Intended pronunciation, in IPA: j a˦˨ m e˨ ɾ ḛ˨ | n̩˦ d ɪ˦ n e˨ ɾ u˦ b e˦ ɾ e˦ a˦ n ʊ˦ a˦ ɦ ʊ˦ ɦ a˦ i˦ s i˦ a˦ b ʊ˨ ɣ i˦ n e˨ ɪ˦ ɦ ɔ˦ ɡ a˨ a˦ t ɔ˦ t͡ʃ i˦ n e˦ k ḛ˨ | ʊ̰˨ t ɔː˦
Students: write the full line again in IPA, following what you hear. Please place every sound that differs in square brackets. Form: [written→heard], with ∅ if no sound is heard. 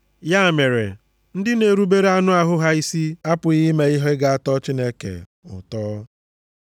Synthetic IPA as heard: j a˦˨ m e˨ ɾ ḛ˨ | n̩˦ d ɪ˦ n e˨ ɾ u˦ b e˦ ɾ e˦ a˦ n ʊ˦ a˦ ɦ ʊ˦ ɦ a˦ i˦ s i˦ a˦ [b→p] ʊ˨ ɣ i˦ [n→m] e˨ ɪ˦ ɦ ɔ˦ ɡ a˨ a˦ t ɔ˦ t͡ʃ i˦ n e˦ k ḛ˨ | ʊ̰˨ t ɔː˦